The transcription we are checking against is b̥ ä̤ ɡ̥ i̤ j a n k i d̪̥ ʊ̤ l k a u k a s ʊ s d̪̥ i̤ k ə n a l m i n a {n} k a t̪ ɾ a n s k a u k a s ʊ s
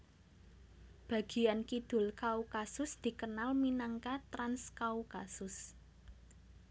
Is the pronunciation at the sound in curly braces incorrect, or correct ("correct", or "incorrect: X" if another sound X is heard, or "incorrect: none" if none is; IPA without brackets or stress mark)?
incorrect: ŋ